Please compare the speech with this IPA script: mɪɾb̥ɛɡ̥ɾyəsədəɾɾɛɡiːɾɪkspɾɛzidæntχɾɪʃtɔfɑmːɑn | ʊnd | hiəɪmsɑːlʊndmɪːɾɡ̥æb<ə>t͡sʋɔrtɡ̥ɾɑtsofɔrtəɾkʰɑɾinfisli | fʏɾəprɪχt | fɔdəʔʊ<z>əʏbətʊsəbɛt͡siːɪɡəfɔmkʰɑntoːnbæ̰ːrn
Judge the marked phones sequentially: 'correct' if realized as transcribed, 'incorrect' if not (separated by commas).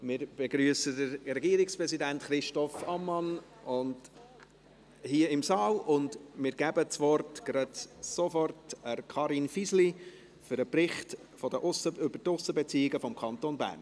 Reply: correct, incorrect